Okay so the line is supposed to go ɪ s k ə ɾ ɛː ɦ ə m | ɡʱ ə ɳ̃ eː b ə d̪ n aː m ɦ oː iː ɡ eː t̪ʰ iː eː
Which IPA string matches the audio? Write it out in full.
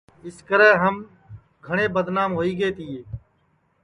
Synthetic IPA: ɪ s k ə ɾ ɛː ɦ ə m | ɡʱ ə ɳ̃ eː b ə d̪ n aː m ɦ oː iː ɡ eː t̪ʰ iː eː